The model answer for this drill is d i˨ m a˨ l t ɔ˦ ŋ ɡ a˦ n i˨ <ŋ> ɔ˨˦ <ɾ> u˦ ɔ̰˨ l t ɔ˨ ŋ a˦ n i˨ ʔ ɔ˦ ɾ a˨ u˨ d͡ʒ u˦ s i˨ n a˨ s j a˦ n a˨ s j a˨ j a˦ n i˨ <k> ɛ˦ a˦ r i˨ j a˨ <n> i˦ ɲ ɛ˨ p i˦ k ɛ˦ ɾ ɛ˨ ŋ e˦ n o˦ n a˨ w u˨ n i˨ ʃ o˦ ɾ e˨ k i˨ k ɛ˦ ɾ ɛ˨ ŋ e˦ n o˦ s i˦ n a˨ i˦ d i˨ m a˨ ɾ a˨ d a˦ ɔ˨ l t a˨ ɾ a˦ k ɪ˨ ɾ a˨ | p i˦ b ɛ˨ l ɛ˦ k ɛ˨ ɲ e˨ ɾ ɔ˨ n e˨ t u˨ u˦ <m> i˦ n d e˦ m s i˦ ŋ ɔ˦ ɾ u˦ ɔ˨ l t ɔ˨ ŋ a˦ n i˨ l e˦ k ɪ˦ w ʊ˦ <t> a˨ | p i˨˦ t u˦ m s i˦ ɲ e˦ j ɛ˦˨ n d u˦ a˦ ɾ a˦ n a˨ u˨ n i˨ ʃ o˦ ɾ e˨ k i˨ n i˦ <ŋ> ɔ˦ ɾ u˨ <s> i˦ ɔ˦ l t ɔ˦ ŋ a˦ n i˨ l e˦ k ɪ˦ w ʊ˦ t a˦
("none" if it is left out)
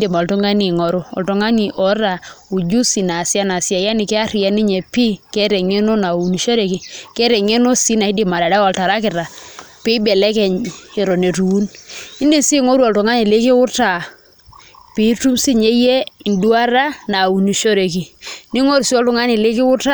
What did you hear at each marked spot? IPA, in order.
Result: ŋ, ɾ, k, n, n, t, ŋ, s

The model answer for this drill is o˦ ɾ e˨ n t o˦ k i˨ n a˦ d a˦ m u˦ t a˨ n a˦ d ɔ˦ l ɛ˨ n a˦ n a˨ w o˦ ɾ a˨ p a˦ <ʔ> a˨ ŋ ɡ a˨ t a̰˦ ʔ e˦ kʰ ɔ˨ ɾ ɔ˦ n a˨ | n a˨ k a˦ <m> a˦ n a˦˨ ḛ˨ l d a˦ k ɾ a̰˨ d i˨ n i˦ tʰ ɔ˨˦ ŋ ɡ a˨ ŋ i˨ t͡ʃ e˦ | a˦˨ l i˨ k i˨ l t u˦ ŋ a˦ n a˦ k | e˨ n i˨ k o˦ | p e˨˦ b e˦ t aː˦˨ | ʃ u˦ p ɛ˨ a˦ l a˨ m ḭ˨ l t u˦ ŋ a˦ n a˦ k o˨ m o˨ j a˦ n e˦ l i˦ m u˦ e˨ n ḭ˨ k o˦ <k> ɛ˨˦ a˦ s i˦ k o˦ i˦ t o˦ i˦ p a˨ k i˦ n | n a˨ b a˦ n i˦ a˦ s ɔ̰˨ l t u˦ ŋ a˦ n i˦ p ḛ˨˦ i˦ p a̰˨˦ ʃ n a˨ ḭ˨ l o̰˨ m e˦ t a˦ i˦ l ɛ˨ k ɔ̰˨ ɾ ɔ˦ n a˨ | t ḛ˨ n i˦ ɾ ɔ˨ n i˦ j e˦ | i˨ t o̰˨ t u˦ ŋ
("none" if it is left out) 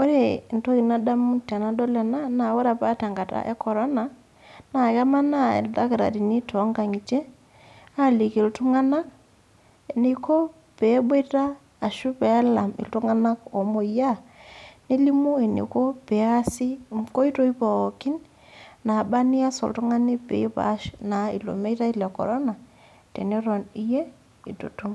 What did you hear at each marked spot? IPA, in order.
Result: t, m, p

